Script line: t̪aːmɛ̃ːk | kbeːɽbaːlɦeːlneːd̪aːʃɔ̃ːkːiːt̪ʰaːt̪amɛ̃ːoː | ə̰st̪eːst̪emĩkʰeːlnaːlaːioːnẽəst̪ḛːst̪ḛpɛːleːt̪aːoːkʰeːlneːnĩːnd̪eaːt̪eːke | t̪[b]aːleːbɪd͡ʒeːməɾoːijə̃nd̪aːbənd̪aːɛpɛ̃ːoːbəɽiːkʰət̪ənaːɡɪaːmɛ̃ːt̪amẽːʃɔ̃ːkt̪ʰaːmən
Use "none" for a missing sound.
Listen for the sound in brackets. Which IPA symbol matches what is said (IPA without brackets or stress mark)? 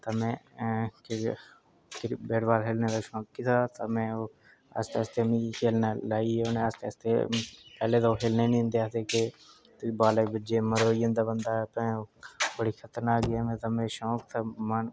b